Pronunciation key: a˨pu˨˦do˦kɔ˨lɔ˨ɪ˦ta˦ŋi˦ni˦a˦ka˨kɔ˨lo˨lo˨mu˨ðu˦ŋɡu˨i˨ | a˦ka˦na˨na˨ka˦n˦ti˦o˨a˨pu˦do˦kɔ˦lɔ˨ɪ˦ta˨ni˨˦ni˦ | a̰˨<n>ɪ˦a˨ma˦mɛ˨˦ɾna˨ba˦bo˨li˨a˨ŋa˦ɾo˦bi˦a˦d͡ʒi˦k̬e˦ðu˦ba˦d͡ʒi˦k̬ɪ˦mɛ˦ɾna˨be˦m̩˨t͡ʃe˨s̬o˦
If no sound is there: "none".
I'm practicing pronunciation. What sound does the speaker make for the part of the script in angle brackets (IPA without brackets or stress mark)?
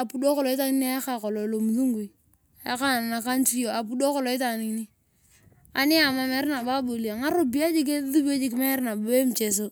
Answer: n